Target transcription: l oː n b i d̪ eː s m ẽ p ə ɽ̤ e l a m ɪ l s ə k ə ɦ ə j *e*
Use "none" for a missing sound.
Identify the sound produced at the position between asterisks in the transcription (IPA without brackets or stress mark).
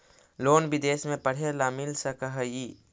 i